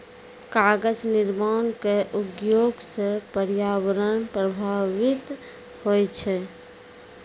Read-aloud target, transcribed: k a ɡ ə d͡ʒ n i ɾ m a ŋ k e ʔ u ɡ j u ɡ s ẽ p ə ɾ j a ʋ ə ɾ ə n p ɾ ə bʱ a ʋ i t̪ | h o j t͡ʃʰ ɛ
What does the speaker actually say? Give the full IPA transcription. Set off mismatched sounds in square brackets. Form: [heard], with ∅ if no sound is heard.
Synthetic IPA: k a ɡ ə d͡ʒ n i ɾ m a [n] k e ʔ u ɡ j [o] ɡ s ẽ p ə ɾ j a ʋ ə ɾ ə n p ɾ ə bʱ a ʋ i t̪ | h o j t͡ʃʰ ɛ